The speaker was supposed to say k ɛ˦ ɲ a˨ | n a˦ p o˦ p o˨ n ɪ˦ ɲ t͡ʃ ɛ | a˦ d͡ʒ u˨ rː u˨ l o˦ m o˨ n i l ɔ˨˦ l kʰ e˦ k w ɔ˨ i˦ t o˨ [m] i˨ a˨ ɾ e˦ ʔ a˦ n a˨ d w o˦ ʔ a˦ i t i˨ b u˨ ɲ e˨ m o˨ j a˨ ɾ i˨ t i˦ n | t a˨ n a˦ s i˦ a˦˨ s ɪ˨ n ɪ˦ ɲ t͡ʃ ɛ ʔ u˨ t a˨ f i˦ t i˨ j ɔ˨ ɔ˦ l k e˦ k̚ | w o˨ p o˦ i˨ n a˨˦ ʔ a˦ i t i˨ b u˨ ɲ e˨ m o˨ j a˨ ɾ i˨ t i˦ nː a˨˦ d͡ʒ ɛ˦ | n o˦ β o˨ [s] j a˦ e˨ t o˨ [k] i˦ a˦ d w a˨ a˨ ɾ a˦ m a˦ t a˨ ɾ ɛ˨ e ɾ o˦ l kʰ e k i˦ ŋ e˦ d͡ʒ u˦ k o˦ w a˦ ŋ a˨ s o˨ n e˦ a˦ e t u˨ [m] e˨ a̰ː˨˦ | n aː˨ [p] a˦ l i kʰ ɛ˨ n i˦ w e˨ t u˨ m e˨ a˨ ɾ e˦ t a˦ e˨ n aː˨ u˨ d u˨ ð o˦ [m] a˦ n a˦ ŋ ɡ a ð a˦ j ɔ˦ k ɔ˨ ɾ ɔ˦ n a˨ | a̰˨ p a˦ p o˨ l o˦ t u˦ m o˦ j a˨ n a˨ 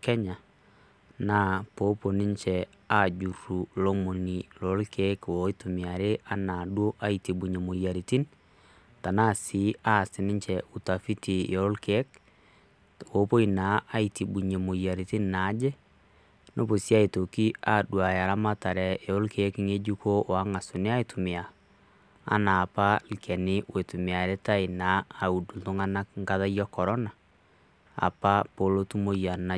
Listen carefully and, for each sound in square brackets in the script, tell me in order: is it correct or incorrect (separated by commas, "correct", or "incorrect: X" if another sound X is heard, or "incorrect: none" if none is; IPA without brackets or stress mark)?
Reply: correct, correct, correct, correct, correct, incorrect: ŋ